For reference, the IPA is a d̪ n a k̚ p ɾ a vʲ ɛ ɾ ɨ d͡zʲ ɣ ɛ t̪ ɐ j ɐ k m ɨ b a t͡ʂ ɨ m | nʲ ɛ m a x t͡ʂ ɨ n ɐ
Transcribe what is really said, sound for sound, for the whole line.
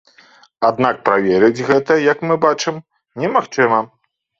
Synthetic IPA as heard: a d̪ n a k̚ p ɾ a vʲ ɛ ɾ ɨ d͡zʲ ɣ ɛ t̪ ɐ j ɐ k m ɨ b a t͡ʂ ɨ m | nʲ ɛ m a x t͡ʂ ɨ m ɐ